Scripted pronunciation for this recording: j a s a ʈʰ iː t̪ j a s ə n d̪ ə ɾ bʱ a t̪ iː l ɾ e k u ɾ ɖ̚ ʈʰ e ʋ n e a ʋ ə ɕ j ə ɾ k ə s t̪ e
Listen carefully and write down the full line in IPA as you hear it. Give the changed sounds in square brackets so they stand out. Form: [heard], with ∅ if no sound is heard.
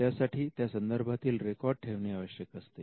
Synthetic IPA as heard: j a s a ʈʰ iː t̪ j a s ə n d̪ ə ɾ bʱ a t̪ iː l ɾ e k [ɔ] ɾ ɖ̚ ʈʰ e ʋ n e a ʋ ə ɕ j ə [∅] k ə s t̪ e

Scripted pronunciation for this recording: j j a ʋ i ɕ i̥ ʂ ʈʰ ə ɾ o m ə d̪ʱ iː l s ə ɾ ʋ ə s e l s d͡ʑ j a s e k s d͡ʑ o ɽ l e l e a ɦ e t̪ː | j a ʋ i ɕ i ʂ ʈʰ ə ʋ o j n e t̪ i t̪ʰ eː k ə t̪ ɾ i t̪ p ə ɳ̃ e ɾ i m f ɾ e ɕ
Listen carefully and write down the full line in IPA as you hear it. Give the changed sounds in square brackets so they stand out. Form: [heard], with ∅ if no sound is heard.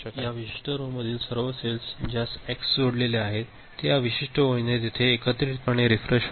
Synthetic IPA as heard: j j a ʋ i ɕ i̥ ʂ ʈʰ ə ɾ o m ə d̪ʱ iː l s ə ɾ ʋ ə s e l s d͡ʑ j a s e k s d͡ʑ o ɽ l e l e a ɦ e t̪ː | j a ʋ i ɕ i ʂ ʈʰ ə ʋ o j n e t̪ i t̪ʰ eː k ə t̪ ɾ i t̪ p ə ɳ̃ e ɾ i [∅] f ɾ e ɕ

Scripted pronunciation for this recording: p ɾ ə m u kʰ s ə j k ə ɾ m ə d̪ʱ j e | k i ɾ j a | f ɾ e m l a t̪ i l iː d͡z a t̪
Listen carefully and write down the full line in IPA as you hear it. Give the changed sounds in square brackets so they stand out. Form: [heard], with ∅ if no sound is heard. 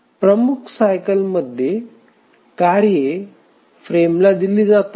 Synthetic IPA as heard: p ɾ ə m u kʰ s [a] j k ə [l] m ə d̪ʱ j e | k [a] ɾ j [e] | f ɾ e m l a [d̪] i l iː d͡z a t̪

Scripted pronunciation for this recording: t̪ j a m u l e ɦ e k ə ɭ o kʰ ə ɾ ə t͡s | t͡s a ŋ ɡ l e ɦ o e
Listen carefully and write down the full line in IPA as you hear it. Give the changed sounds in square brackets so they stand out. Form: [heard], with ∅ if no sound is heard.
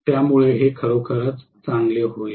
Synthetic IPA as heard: t̪ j a m u [ɭ] e ɦ e [kʰ] ə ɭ o kʰ ə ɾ ə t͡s | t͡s a ŋ ɡ l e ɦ o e

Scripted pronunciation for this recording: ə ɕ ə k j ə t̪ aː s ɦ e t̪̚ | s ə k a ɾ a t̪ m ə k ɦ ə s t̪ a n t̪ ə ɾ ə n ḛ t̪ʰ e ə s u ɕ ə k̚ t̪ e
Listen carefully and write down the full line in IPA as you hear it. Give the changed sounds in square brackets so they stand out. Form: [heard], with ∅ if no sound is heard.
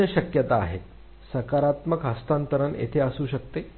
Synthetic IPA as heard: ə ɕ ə k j ə t̪ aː [∅] ɦ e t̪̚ | s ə k a ɾ a t̪ m ə k ɦ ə s t̪ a n t̪ ə ɾ ə n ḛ t̪ʰ e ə s [uː] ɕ ə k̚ t̪ e

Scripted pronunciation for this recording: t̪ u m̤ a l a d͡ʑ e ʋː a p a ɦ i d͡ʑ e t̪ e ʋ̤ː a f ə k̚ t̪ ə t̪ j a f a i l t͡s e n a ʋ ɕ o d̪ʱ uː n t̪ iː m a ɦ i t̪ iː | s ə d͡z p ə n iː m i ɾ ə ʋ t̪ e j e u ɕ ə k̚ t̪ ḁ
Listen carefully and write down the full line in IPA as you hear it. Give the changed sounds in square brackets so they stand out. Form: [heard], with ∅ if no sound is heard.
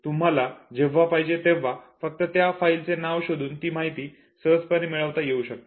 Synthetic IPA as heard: t̪ u m̤ a l a d͡ʑ e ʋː a p a ɦ i d͡ʑ e t̪ e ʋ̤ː a f ə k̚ t̪ ə t̪ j a f a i l t͡s e n a ʋ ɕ o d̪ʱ uː n t̪ iː m a ɦ i t̪ iː | s ə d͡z p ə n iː m i [ɭ] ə ʋ t̪ [a] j e u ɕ ə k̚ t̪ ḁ

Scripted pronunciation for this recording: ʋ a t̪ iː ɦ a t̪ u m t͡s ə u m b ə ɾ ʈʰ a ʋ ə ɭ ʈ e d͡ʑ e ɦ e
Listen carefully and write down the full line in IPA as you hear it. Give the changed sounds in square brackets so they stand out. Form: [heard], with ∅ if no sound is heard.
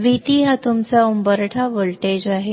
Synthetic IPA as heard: ʋ [i] t̪ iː ɦ a t̪ u m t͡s [a] u m b ə ɾ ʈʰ a ʋ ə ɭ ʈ e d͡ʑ [a] ɦ e

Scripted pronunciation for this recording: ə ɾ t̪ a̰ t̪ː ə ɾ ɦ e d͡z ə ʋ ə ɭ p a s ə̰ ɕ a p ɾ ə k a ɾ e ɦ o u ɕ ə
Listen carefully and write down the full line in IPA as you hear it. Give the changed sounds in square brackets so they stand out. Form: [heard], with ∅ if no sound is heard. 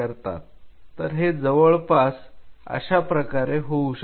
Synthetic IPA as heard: ə ɾ t̪ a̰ t̪ː ə ɾ ɦ e d͡z ə ʋ ə ɭ p a s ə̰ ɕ a p ɾ ə k a ɾ e ɦ o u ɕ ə

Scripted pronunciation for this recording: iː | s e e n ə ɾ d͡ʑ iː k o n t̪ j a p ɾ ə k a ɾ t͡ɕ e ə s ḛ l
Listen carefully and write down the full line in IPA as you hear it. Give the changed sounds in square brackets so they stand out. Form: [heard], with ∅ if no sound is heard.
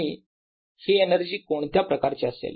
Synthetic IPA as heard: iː | [h] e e n ə ɾ d͡ʑ iː k o [ɳ] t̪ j a p ɾ ə k a ɾ t͡ɕ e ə s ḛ l

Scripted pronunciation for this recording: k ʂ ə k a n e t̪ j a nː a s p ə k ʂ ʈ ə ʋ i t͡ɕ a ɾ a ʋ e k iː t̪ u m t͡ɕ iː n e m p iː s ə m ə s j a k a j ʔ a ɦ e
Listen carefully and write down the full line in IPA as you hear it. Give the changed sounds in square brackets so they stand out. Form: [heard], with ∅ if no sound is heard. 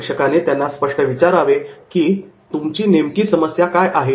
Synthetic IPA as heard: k ʂ ə k a n e t̪ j a nː a s p ə [∅] ʂ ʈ ə ʋ i t͡ɕ a ɾ a ʋ e k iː t̪ u m t͡ɕ iː n e m [k] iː s ə m ə s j a k a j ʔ a ɦ e

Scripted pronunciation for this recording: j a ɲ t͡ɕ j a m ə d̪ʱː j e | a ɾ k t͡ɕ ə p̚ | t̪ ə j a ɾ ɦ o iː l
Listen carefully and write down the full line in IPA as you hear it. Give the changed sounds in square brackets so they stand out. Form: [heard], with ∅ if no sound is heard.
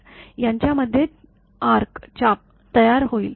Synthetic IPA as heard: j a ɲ t͡ɕ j a m ə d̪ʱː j e | a ɾ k t͡ɕ [a] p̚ | t̪ ə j a ɾ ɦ o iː l

